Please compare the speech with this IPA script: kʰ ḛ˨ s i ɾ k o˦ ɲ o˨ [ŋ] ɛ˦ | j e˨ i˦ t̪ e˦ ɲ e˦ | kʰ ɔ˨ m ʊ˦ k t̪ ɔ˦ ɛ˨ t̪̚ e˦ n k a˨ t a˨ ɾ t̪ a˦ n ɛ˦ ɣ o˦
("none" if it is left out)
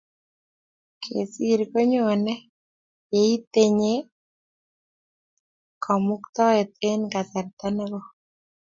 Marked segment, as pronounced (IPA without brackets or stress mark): n